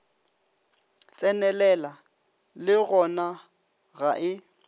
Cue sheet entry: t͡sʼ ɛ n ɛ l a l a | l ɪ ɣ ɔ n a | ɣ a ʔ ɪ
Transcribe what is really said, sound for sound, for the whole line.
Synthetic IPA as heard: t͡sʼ ɛ n ɛ l ɛ l a | l ɪ ɣ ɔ n a | ɣ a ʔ ɪ